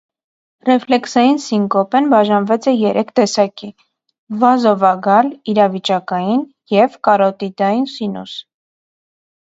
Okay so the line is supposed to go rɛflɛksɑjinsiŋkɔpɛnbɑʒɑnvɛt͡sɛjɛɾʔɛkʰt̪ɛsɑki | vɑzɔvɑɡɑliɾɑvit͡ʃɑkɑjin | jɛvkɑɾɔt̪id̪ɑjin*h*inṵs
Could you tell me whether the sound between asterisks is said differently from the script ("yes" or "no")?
yes